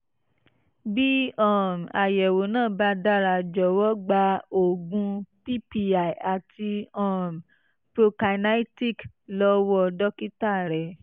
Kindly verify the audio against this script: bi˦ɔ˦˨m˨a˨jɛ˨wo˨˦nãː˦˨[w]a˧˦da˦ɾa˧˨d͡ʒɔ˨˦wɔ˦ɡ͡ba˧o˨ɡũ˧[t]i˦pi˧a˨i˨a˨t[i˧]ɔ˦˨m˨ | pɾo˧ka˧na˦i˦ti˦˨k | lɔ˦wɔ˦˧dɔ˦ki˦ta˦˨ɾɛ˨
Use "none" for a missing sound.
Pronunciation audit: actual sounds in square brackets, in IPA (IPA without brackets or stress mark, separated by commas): b, p, i˧